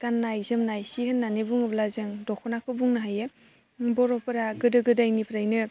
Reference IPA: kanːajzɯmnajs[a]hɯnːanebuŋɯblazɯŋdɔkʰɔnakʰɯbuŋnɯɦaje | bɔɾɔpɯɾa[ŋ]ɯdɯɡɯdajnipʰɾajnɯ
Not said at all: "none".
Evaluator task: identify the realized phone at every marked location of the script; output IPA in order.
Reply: i, ɡ

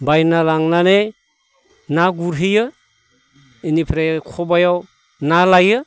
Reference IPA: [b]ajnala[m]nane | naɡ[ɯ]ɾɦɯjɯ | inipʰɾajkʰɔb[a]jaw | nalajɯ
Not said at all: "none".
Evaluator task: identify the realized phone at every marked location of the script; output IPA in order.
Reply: b, ŋ, u, a

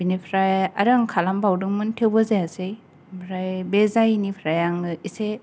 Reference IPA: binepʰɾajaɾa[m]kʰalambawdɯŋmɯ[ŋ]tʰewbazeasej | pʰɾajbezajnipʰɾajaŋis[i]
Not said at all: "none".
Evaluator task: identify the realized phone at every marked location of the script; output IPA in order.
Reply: ŋ, n, e

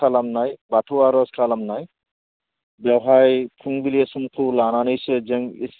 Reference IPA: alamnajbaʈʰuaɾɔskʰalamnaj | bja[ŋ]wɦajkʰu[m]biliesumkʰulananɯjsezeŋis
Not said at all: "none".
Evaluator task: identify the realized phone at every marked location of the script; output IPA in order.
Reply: none, ŋ

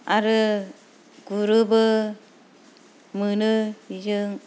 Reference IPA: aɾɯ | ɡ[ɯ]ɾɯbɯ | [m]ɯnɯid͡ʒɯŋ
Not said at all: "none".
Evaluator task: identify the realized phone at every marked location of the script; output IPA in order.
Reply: u, m

